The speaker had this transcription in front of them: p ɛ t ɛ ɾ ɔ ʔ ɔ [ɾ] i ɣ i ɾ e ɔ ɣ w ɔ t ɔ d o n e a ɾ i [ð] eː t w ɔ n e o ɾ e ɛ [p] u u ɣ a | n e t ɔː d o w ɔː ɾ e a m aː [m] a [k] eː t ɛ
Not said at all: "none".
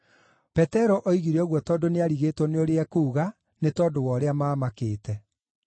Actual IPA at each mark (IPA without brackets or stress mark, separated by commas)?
none, ɣ, k, m, k